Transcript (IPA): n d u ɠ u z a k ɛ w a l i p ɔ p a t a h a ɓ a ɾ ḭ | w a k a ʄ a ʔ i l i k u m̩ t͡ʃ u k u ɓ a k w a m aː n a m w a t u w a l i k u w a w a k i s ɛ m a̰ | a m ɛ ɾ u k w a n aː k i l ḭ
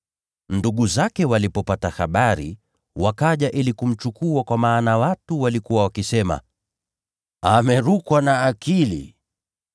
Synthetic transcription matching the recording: n d u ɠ u z a k ɛ w a l i p ɔ p a t a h a ɓ a ɾ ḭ | w a k a ʄ a ʔ i l i k u m̩ t͡ʃ u k u a k w a m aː n a w a t u w a l i k u w a w a k i s ɛ m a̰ | a m ɛ ɾ u k w a n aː k i l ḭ

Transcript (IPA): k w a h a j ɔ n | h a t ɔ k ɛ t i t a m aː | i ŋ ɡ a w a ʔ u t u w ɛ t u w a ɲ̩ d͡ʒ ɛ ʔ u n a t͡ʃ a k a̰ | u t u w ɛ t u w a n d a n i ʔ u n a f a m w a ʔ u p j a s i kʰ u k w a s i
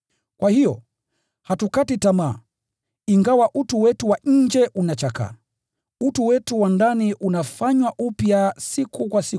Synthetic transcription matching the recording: k w a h i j ɔ | h a t u k a t i t a m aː | i ŋ ɡ a w a ʔ u t u w ɛ t u w a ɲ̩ d͡ʒ ɛ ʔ u n a t͡ʃ a k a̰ | u t u w ɛ t u w a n d a n i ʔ u n a f a ɲ w a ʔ u p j a s i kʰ u k w a s i

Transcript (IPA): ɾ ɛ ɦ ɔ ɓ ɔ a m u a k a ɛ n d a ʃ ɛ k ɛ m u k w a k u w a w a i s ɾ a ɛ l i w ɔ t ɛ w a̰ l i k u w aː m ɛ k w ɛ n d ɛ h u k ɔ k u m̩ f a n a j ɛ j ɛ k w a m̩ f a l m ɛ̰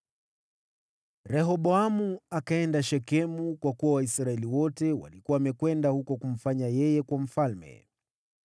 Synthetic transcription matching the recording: ɾ ɛ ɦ ɔ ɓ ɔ a m u a k a ɛ n d a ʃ ɛ k ɛ m u k w a k u w a w a i s ɾ a ɛ l i w ɔ t ɛ w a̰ l i k u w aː m ɛ k w ɛ n d a h u k ɔ k u m̩ f a ɲ a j ɛ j ɛ k w a m̩ f a l m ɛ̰

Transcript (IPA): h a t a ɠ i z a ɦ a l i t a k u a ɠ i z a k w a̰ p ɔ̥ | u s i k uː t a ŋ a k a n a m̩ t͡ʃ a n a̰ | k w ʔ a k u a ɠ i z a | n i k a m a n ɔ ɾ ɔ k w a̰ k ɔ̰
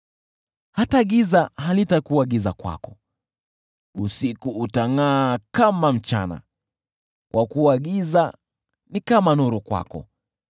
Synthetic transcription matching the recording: h a t a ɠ i z a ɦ a l i t a k u a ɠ i z a k w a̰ k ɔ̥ | u s i k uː t a ŋ a k a m a m̩ t͡ʃ a n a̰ | k w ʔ a k u a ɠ i z a | n i k a m a n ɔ ɾ ɔ k w a̰ k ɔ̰

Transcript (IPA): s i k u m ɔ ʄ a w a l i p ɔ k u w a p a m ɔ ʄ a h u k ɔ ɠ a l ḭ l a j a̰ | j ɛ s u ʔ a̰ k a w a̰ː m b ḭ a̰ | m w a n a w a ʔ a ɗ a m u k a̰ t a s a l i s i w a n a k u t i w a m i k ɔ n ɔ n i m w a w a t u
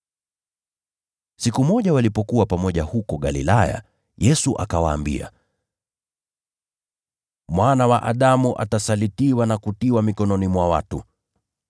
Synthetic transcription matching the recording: s i k u m ɔ ʄ a w a l i p ɔ k u w a p a m ɔ ʄ a h u k ɔ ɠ a l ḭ l a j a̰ | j ɛ s u ʔ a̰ k a w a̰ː m b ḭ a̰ | m w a n a w a ʔ a ɗ a m u ʔ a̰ t a s a l i t i w a n a k u t i w a m i k ɔ n ɔ n i m w a w a t u

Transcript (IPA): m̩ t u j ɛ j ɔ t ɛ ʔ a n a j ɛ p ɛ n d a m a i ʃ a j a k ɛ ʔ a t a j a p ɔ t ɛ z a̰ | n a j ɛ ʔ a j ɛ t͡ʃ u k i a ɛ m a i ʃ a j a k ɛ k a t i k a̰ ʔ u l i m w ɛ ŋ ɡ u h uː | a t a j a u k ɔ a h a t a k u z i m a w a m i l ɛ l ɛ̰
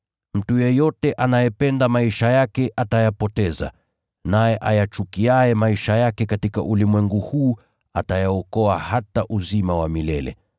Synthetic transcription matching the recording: m̩ t u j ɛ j ɔ t ɛ ʔ a n a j ɛ p ɛ n d a m a i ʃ a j a k ɛ ʔ a t a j a p ɔ t ɛ z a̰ | n a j ɛ ʔ a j a t͡ʃ u k i a ɛ m a i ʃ a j a k ɛ k a t i k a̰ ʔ u l i m w ɛ ŋ ɡ u h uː | a t a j a ɔ k ɔ a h a t a ʔ u z i m a w a m i l ɛ l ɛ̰

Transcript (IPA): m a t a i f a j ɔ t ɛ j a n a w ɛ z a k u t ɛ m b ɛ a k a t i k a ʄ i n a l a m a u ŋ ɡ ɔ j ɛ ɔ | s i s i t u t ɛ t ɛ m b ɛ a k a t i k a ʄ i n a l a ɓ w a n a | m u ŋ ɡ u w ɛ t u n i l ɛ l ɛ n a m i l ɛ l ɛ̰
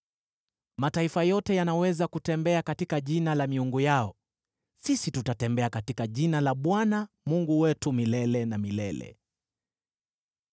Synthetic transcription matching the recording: m a t a i f a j ɔ t ɛ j a n a w ɛ z a k u t ɛ m b ɛ a k a t i k a ʄ i n a l a m i u ŋ ɡ u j a ɔ | s i s i t u t a t ɛ m b ɛ a k a t i k a ʄ i n a l a ɓ w a n a | m u ŋ ɡ u w ɛ t u m i l ɛ l ɛ n a m i l ɛ l ɛ̰

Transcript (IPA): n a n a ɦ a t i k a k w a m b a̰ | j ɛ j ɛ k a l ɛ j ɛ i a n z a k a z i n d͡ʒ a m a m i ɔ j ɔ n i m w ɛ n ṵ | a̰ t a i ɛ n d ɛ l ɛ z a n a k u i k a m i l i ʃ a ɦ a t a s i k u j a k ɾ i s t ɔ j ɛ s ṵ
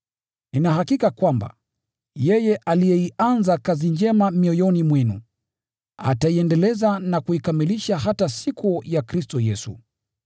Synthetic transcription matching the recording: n i n a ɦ a k i k a k w a m b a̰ | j ɛ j ɛ ʔ a l i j ɛ i a n z a k a z i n d͡ʒ ɛ m a m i ɔ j ɔ n i m w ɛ n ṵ | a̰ t a i ɛ n d ɛ l ɛ z a n a k u i k a m i l i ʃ a ɦ a t a s i k u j a k ɾ i s t ɔ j ɛ s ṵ

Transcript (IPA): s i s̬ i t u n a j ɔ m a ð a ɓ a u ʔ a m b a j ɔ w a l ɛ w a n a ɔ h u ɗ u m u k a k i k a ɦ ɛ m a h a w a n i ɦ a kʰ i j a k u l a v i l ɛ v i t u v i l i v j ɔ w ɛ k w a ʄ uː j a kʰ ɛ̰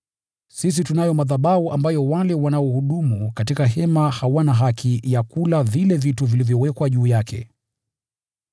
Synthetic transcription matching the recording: s i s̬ i t u n a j ɔ m a ð a ɓ a u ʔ a m b a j ɔ w a l ɛ w a n a ɔ h u ɗ u m u k a t i k a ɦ ɛ m a h a w a n a ɦ a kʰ i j a k u l a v i l ɛ v i t u v i l i v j ɔ w ɛ k w a ʄ uː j a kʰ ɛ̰

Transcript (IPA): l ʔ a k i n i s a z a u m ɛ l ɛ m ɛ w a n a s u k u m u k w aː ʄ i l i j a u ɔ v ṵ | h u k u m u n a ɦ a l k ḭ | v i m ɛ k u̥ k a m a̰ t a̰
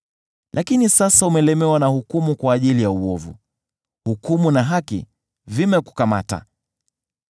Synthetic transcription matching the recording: l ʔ a k i n i s a s a u m ɛ l ɛ m ɛ w a n a h u k u m u k w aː ʄ i l i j a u ɔ v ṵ | h u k u m u n a ɦ a k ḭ | v i m ɛ k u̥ k a m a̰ t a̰

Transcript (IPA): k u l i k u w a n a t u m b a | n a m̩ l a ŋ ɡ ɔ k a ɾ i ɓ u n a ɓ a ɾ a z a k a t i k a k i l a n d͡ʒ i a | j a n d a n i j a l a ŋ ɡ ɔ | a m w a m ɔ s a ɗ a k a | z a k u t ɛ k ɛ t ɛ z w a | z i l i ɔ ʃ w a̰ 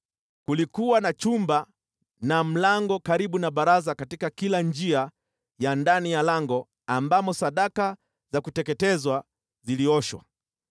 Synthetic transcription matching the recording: k u l i k u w a n a t͡ʃ u m b a | n a m̩ l a ŋ ɡ ɔ k a ɾ i ɓ u n a ɓ a ɾ a z a k a t i k a k i l a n d͡ʒ i a | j a n d a n i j a l a ŋ ɡ ɔ | a m b a m ɔ s a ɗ a k a | z a k u t ɛ k ɛ t ɛ z w a | z i l i ɔ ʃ w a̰

